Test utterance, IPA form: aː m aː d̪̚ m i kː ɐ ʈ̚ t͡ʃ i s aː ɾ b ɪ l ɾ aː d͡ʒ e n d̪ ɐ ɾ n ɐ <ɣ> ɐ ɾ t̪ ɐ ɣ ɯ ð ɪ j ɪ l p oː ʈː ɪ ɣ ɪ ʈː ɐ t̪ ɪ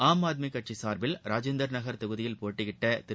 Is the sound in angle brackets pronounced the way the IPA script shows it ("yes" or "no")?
yes